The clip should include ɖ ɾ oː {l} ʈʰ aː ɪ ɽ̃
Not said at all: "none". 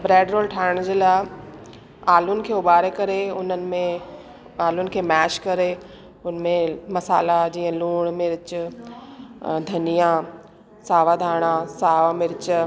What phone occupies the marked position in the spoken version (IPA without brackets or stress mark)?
l